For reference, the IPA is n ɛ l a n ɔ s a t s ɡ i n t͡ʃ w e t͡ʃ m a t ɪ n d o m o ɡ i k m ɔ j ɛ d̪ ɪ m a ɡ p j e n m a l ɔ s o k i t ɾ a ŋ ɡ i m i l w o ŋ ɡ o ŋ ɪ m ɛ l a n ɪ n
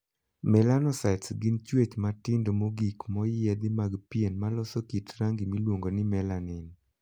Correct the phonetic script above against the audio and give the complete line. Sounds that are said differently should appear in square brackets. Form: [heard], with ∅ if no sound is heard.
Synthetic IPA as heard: [m] ɛ l a n ɔ s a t s ɡ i n t͡ʃ w e t͡ʃ m a t ɪ n d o m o ɡ i k m ɔ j ɛ d̪ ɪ m a ɡ p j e n m a l ɔ s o k i t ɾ a ŋ ɡ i m i l w o ŋ ɡ o [n] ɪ m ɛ l a n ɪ n

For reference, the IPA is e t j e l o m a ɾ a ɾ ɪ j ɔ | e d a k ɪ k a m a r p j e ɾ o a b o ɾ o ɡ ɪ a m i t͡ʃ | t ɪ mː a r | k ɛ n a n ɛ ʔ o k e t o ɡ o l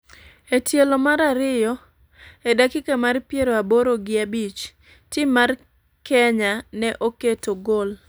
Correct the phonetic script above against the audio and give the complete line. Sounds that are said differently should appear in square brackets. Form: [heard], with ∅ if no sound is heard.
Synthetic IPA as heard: e t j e l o m a ɾ a ɾ ɪ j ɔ | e d a k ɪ k a m a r p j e ɾ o a b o ɾ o ɡ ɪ a [b] i t͡ʃ | t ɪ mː a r | k ɛ [ɲ] a n ɛ ʔ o k e t o ɡ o l

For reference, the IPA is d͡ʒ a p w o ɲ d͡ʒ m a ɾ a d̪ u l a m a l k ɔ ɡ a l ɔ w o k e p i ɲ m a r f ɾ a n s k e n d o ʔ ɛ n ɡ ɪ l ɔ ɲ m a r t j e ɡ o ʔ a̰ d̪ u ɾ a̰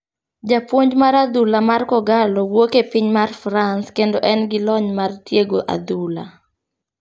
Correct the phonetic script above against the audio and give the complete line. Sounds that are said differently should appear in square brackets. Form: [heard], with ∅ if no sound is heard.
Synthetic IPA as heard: d͡ʒ a p w o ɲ d͡ʒ m a ɾ a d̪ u l a m a [r] k ɔ ɡ a l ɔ w o k e p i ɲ m a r f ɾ a n s k e n d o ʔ ɛ n ɡ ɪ l ɔ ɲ m a r t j e ɡ o ʔ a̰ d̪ u [l] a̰

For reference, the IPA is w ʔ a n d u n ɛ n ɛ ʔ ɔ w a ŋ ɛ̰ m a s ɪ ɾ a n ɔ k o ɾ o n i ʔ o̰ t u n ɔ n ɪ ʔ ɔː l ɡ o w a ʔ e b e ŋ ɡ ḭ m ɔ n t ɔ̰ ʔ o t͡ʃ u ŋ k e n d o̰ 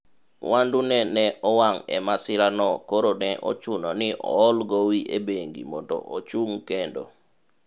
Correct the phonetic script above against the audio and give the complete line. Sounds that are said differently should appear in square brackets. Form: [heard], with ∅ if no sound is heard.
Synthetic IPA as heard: w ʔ a n d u n ɛ n ɛ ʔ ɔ w a ŋ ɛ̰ m a s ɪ ɾ a n ɔ k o ɾ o n [ɛ] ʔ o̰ [t͡ʃ] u n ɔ n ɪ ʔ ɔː l ɡ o w [i] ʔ e b e ŋ ɡ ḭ m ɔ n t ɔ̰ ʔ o t͡ʃ u ŋ k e n d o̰

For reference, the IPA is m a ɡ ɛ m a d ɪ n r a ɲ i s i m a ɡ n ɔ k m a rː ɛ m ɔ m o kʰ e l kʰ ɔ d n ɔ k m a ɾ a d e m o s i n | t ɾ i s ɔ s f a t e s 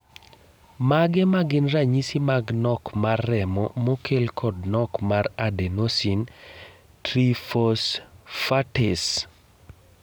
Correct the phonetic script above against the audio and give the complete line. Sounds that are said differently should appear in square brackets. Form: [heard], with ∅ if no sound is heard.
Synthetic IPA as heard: m a ɡ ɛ m a [ɡ] ɪ n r a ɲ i s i m a ɡ n ɔ k m a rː ɛ m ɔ m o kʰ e l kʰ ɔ d n ɔ k m a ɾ a d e [n] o s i n | t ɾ i [f] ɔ s f a t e s

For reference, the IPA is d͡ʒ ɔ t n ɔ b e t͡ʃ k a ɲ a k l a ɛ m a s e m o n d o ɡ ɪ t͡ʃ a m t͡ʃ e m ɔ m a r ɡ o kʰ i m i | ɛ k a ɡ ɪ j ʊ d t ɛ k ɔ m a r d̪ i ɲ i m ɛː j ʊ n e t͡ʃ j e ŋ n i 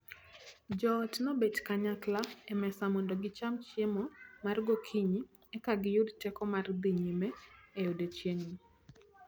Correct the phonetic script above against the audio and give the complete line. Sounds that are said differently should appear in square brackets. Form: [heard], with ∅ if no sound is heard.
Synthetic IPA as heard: d͡ʒ ɔ t n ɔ b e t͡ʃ k a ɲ a k l a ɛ m [ɛ] s [a] m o n d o ɡ ɪ t͡ʃ a m t͡ʃ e m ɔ m a r ɡ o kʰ i [ɲ] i | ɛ k a ɡ ɪ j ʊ d t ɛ k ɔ m a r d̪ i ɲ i m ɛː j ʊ [d] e t͡ʃ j e ŋ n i

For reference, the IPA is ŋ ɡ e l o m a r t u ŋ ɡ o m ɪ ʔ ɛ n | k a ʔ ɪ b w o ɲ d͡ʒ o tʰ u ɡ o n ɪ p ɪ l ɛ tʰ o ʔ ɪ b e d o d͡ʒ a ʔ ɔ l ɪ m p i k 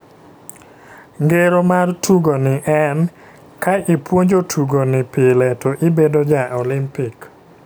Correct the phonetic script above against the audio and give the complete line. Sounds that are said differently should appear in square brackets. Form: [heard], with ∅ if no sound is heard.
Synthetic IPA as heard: ŋ ɡ e [ɾ] o m a r t u [∅] ɡ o [n] ɪ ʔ ɛ n | k a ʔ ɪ [p] w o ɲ d͡ʒ o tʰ u ɡ o n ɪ p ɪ l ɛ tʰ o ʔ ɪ b e d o d͡ʒ a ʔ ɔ l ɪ m p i k

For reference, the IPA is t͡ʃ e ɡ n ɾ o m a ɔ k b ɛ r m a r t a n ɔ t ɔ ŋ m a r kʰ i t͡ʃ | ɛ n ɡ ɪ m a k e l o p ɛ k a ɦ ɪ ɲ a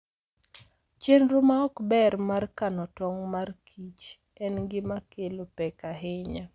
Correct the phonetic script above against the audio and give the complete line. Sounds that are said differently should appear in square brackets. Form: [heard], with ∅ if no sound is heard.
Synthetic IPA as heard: t͡ʃ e [∅] n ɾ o m a ɔ k b ɛ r m a r [k] a n ɔ t ɔ ŋ m a r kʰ i t͡ʃ | ɛ n ɡ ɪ m a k e l o p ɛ k a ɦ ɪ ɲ a

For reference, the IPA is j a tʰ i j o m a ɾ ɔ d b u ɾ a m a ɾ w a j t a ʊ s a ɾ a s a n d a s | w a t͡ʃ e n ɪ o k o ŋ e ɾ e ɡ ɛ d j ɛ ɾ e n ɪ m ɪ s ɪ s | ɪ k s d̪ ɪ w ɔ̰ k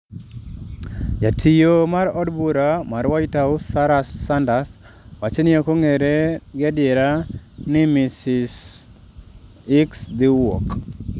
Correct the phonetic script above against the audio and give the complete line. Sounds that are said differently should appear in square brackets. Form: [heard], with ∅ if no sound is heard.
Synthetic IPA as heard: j a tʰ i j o m a ɾ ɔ d b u ɾ a m a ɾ w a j t a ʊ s a ɾ a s a n d a s | w a t͡ʃ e n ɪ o k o ŋ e ɾ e ɡ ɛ d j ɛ ɾ [a] n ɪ m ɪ s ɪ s | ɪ k s d̪ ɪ w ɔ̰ k

